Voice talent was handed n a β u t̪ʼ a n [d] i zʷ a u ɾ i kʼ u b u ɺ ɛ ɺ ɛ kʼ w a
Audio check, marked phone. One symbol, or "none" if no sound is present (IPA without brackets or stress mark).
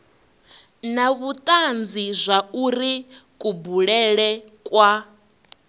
d͡z